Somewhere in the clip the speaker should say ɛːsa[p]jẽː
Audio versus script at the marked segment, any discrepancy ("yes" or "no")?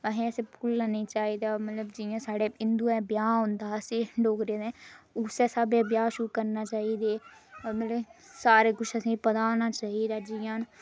yes